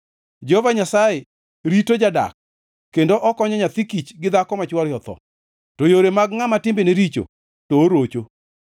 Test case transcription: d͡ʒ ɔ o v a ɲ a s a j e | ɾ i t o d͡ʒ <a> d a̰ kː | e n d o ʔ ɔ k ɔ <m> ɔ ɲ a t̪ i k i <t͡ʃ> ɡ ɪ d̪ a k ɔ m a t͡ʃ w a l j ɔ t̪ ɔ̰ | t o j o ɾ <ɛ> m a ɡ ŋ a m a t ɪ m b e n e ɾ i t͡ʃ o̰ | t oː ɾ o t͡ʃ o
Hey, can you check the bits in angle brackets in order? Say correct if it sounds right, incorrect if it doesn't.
correct, incorrect, correct, incorrect

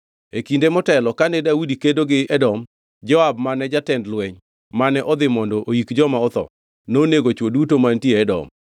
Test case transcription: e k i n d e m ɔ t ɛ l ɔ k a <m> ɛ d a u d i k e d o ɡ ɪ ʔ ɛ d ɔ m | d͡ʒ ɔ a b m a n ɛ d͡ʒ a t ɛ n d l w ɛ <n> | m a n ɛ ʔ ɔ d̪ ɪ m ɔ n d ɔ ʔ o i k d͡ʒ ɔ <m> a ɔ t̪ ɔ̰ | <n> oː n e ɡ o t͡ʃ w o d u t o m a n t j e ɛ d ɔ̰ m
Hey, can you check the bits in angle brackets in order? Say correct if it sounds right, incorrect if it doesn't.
incorrect, incorrect, correct, correct

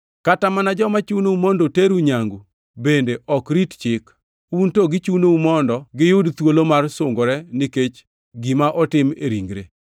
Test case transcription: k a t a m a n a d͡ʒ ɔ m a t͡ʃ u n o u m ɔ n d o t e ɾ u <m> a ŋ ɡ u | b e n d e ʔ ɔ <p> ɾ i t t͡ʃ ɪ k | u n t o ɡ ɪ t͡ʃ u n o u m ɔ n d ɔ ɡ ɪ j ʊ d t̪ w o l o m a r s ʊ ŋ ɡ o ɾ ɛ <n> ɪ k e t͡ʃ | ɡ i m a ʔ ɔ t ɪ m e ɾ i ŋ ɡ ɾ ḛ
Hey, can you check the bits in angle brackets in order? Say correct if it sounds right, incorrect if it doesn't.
incorrect, incorrect, correct

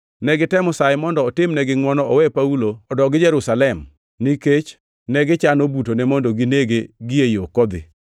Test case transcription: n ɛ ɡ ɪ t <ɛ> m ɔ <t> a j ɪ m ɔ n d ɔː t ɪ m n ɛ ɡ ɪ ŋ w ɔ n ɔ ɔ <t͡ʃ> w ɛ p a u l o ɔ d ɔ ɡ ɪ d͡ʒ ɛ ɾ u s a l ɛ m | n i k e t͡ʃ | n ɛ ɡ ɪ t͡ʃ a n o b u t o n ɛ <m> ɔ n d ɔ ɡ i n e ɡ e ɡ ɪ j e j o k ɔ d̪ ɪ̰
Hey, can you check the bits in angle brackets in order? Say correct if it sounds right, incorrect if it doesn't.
correct, incorrect, incorrect, correct

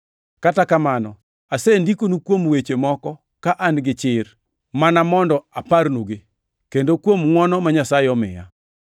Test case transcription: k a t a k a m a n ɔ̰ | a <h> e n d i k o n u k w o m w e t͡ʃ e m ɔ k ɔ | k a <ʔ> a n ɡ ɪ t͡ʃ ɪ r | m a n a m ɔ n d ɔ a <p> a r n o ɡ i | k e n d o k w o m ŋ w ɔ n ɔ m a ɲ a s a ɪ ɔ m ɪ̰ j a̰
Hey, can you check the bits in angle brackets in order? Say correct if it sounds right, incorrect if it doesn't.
incorrect, correct, correct

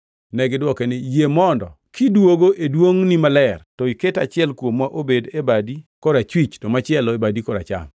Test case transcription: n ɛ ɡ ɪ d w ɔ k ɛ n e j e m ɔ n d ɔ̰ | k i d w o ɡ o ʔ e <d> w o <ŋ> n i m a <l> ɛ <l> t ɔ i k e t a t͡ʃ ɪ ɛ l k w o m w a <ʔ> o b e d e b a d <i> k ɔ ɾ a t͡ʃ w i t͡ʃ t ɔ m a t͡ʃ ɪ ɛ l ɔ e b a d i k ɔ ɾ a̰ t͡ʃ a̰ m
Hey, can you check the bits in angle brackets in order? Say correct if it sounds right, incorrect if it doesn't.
correct, correct, correct, incorrect, correct, correct

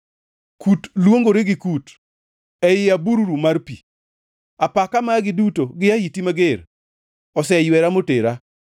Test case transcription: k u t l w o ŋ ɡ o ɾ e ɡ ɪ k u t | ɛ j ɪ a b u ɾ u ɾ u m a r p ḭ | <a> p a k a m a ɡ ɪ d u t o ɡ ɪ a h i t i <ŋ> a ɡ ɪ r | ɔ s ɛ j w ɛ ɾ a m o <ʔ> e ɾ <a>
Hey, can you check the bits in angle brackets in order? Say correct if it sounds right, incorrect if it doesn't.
correct, incorrect, incorrect, correct

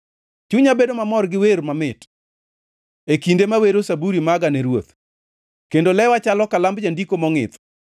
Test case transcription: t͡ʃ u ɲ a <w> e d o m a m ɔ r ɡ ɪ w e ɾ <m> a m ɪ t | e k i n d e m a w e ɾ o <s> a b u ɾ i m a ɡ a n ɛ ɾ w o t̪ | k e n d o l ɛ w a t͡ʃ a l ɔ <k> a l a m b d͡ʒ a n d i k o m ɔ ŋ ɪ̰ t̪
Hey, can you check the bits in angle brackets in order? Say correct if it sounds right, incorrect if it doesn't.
incorrect, correct, correct, correct

